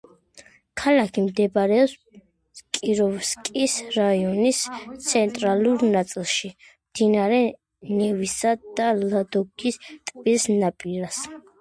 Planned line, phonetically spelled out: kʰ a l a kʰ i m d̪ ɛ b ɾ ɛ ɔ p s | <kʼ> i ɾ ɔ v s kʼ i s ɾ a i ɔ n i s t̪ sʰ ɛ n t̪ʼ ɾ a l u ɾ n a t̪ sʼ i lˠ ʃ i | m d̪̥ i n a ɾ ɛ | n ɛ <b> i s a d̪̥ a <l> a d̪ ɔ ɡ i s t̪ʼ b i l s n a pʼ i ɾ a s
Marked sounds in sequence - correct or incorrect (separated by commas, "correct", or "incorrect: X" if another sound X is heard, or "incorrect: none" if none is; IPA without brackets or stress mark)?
correct, incorrect: v, correct